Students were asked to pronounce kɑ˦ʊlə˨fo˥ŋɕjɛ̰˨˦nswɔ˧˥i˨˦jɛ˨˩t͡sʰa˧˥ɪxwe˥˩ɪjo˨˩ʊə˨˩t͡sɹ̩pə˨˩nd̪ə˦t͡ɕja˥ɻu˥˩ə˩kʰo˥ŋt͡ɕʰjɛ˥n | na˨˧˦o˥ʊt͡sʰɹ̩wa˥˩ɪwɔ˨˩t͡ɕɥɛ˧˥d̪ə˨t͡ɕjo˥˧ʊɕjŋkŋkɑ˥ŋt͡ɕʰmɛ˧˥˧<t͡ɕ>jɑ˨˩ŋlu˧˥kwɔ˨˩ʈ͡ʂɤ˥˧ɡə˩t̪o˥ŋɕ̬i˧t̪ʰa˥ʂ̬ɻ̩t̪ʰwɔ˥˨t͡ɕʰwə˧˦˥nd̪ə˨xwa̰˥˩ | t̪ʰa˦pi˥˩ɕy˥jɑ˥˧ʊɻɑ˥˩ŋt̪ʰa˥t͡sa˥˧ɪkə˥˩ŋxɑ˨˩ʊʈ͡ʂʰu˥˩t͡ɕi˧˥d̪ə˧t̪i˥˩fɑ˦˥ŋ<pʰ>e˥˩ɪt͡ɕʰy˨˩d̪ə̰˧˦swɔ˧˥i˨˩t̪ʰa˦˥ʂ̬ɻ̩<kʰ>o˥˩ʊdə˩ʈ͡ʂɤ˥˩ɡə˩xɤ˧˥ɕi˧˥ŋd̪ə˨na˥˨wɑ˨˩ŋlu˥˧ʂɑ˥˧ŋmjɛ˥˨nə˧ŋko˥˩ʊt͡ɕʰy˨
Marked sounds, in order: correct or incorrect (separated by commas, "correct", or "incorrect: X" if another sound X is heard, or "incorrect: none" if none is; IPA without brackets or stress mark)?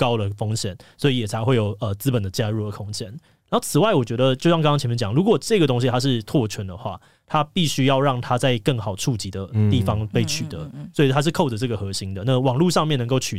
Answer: correct, incorrect: p, correct